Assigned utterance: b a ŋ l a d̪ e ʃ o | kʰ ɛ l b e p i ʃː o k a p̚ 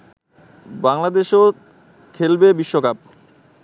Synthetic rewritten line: b a ŋ l a d̪ e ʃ o | kʰ e l b e b i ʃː o k a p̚